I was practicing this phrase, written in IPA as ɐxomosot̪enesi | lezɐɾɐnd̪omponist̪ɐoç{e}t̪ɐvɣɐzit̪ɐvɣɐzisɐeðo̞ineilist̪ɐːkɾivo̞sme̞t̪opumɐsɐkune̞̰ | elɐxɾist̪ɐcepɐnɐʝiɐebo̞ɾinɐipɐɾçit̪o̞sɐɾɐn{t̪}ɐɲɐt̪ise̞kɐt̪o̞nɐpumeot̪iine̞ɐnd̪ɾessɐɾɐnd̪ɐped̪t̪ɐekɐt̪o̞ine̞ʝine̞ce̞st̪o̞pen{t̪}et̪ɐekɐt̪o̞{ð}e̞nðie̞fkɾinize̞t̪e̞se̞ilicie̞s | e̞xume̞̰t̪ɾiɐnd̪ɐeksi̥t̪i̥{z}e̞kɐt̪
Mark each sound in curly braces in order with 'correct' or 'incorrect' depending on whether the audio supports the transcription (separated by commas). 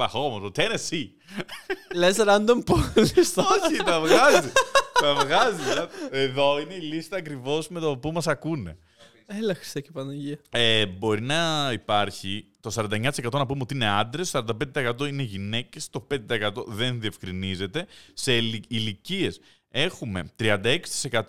incorrect, incorrect, incorrect, correct, incorrect